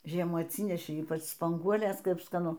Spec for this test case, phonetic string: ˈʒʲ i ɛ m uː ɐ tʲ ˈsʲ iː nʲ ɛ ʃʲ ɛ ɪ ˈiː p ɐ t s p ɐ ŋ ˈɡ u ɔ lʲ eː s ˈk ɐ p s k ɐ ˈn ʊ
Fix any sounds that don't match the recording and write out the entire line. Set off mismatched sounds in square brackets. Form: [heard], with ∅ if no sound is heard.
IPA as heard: ˈʒʲ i ɛ m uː ɐ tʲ ˈsʲ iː nʲ ɛ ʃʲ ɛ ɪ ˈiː p ɐ [t͡ʃ] s p ɐ ŋ ˈɡ u ɔ lʲ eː s ˈk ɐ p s k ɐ ˈn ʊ